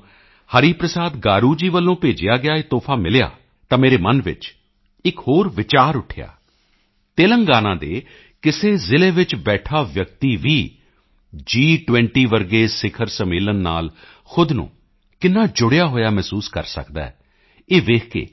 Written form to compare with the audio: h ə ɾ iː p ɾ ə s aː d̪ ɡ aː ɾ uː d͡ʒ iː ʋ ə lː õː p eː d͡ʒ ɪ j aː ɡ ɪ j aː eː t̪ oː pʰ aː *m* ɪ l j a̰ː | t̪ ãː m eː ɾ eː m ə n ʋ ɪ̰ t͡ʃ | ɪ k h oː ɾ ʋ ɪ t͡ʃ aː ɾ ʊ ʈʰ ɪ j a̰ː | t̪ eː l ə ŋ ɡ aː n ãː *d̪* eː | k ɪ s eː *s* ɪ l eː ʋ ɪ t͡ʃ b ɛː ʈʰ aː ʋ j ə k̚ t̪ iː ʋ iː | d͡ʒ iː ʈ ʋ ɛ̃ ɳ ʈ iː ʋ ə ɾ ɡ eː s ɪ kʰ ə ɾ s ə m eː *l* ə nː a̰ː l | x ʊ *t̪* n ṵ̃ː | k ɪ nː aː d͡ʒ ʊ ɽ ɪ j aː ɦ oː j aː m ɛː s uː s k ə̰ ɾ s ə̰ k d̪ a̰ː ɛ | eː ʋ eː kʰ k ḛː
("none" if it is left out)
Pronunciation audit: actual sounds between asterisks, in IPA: m, d̪, z, l, d̪

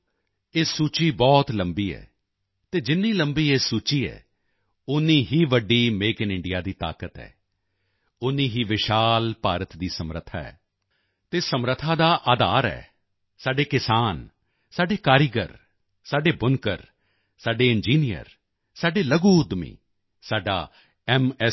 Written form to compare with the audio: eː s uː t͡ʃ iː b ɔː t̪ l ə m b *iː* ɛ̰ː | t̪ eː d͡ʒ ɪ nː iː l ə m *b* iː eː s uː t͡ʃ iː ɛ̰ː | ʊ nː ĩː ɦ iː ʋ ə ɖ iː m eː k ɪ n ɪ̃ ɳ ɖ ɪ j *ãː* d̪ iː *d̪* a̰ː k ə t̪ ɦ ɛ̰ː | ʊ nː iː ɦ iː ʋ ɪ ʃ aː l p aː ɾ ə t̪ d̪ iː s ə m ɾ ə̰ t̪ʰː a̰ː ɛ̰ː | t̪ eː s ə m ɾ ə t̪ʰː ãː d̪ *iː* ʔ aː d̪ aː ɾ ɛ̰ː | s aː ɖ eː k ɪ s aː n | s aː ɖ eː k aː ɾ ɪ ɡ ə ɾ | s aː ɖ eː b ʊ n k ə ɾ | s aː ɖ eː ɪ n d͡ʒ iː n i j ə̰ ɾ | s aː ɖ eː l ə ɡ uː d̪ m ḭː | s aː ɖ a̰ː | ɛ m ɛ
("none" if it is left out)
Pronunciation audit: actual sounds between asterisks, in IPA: iː, b, aː, t̪, aː

